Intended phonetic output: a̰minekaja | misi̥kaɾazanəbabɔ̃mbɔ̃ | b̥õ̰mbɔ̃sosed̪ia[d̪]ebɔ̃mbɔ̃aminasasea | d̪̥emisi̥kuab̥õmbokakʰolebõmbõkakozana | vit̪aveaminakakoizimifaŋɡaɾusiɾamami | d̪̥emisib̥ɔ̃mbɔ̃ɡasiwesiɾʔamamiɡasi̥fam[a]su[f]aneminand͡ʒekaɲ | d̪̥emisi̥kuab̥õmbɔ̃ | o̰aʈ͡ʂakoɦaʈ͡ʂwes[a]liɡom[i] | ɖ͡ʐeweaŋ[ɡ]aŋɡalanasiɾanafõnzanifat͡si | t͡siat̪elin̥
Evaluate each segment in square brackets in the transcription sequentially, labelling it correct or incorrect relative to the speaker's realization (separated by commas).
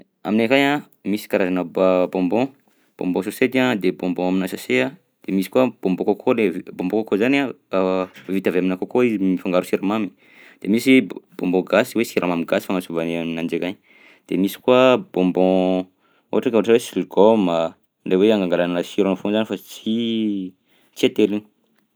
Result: correct, correct, incorrect, incorrect, incorrect, correct